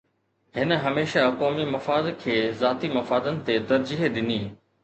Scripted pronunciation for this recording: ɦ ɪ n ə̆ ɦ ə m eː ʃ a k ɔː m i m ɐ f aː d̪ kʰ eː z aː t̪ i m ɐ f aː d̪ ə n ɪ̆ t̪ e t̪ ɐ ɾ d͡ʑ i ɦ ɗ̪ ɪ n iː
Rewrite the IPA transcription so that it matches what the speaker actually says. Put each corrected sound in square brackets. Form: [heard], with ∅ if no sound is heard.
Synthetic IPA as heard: ɦ ɪ n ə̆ ɦ [ɐ] m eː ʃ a k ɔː m i m ɐ f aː d̪ kʰ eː z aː t̪ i m ɐ f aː d̪ ə n ɪ̆ t̪ e t̪ ɐ ɾ d͡ʑ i ɦ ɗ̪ ɪ n iː